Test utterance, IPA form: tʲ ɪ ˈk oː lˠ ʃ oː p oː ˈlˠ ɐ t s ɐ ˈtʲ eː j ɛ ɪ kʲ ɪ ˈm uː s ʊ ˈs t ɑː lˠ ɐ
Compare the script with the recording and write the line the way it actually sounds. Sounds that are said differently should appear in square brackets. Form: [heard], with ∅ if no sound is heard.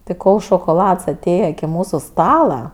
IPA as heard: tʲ ɪ ˈk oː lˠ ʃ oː [k] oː ˈlˠ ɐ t s ɐ ˈtʲ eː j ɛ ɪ kʲ ɪ ˈm uː s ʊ ˈs t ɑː lˠ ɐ